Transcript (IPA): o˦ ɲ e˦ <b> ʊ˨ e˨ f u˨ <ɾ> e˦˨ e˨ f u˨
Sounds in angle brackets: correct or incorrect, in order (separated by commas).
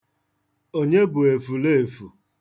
correct, incorrect